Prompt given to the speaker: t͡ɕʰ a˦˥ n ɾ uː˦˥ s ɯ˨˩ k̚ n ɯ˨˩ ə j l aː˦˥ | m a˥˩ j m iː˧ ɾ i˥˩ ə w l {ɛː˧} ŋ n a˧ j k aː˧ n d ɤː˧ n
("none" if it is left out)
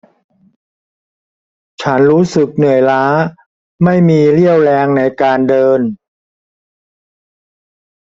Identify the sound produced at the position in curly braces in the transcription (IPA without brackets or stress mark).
ɛː˧